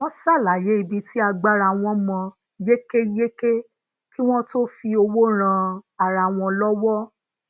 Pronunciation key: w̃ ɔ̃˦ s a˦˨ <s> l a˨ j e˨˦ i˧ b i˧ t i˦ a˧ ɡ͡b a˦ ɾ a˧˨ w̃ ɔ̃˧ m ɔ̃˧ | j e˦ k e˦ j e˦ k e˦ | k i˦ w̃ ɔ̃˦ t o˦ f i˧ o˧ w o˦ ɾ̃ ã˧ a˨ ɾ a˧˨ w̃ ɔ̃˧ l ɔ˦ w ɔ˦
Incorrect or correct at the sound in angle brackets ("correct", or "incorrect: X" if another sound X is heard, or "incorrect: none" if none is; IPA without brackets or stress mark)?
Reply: incorrect: none